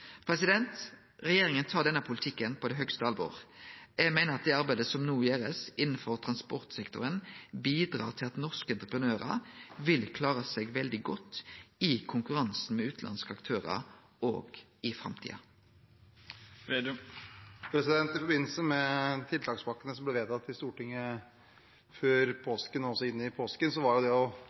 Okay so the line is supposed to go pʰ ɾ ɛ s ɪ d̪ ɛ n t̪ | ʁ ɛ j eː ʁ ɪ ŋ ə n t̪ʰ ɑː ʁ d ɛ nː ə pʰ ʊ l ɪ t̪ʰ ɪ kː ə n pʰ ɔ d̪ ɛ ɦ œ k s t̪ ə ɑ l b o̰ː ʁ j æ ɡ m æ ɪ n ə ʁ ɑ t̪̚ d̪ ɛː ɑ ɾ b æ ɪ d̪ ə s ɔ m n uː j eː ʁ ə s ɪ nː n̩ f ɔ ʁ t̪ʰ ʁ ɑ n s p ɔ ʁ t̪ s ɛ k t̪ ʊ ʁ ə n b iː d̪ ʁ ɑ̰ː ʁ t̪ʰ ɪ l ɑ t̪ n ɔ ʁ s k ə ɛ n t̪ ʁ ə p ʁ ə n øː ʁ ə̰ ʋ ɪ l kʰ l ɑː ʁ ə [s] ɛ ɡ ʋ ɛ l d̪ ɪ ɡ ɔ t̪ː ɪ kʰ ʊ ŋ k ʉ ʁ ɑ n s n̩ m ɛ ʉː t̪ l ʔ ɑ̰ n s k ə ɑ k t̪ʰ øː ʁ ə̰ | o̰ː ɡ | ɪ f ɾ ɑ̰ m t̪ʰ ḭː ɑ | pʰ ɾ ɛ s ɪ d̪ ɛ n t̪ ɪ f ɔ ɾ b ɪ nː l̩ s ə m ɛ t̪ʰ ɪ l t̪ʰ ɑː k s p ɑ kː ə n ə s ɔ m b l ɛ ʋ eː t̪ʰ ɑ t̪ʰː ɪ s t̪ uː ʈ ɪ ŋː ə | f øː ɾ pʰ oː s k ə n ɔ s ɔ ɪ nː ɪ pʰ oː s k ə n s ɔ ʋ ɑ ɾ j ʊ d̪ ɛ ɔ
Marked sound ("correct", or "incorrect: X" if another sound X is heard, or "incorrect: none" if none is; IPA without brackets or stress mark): correct